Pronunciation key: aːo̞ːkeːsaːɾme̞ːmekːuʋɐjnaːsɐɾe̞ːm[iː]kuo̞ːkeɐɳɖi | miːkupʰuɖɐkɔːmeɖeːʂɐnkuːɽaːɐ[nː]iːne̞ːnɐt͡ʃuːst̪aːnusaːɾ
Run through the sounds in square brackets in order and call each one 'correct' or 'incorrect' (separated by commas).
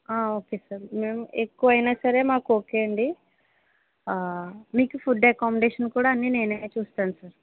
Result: incorrect, correct